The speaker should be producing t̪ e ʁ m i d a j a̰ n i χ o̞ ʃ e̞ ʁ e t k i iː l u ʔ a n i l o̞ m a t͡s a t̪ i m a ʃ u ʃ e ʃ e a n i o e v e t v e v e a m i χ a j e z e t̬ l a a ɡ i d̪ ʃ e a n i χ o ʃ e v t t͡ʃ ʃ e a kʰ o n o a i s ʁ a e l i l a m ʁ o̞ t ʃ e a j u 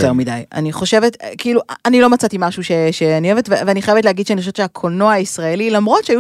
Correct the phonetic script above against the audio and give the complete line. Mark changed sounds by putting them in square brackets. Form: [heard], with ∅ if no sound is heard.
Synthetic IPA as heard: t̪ e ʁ m i d a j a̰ n i χ o̞ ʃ e̞ [v] e t k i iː l u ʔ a n i l o̞ m a t͡s a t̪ i m a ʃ u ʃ e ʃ e a n i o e v e t v e v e a [n] i χ a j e [v] e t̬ l [e] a ɡ i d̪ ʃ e a n i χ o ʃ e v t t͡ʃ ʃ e a kʰ o n o a i s ʁ a e l i l a m ʁ o̞ t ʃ e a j u